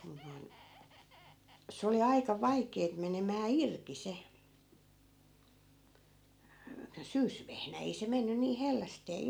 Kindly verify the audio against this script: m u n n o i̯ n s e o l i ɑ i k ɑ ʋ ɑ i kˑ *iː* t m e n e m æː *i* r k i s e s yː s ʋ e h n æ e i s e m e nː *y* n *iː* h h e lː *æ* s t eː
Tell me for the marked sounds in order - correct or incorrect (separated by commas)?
incorrect, correct, correct, correct, correct